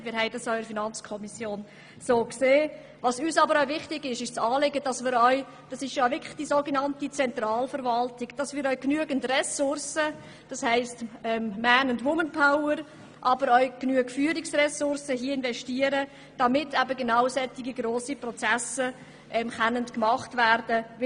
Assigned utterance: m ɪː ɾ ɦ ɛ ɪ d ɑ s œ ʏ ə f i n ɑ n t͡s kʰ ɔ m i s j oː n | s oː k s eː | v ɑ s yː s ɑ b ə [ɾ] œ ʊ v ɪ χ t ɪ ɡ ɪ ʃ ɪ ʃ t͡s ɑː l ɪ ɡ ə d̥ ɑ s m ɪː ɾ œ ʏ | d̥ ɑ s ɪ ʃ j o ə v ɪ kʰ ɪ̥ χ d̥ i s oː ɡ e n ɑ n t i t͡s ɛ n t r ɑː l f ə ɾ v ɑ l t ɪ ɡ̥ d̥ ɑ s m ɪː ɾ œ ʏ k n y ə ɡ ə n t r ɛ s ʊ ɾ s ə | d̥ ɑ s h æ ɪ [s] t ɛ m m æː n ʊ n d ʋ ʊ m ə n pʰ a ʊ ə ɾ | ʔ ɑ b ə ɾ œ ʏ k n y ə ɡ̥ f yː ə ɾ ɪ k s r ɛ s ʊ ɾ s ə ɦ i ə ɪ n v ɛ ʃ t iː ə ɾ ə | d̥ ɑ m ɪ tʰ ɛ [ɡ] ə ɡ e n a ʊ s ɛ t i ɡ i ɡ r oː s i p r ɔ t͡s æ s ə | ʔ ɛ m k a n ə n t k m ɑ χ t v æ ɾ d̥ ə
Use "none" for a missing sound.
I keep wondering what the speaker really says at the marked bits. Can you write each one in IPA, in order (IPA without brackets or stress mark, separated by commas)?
ɾ, s, b